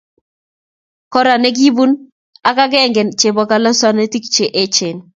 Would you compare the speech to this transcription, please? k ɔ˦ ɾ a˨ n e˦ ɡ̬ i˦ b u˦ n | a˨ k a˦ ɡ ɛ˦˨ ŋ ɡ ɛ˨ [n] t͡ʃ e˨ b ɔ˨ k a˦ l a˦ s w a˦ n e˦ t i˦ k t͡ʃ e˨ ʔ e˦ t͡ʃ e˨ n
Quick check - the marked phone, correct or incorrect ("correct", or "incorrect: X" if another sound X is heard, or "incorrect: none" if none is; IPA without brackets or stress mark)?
correct